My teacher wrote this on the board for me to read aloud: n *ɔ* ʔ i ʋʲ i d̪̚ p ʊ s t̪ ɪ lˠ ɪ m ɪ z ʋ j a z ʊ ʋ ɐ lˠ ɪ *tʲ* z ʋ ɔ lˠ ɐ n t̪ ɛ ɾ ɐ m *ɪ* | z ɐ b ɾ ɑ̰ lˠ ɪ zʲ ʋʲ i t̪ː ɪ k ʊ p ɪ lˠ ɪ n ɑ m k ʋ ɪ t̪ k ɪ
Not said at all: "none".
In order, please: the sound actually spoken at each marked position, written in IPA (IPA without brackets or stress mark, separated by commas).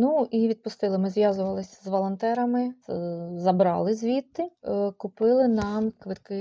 u, sʲ, ɪ